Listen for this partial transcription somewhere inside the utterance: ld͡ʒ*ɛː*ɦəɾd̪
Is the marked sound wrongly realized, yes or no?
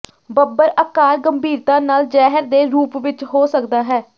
no